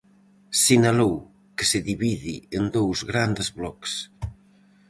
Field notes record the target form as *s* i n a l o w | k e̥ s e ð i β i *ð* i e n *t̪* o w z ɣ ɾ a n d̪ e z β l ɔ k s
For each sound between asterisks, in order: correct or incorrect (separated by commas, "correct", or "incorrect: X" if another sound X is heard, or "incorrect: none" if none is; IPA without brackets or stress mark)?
correct, correct, incorrect: d̪